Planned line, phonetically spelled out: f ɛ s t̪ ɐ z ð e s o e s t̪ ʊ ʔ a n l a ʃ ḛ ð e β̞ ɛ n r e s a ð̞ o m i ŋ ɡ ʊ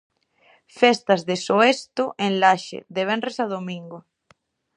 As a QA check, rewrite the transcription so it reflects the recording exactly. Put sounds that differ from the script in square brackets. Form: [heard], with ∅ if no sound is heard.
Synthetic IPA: f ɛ s t̪ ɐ z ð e s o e s t̪ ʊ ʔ [e] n l a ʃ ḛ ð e β̞ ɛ n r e s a ð̞ o m i ŋ ɡ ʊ